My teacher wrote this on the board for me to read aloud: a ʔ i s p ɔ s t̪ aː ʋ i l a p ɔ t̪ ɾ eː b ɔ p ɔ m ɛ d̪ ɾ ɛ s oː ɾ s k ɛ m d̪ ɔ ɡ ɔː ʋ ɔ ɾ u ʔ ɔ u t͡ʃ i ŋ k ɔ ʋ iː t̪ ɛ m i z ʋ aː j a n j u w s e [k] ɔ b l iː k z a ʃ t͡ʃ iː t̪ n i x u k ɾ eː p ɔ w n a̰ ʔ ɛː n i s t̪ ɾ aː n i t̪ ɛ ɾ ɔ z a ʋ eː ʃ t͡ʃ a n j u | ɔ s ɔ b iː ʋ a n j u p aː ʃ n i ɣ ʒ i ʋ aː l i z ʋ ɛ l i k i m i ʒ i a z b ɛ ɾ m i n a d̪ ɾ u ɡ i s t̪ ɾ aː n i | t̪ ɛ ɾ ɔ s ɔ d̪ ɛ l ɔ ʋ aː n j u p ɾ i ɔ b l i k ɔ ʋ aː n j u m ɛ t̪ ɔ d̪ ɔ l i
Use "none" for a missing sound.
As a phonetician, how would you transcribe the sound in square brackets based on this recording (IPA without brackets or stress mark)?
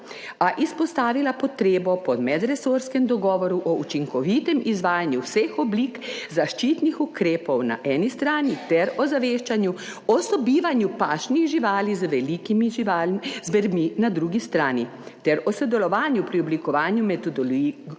x